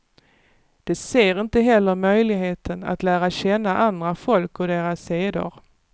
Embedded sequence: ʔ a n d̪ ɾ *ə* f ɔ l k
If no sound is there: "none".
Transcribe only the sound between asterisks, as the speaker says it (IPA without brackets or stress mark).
a